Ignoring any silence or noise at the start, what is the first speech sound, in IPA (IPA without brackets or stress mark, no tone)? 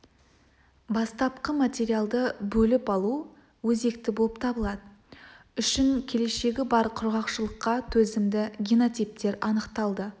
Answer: b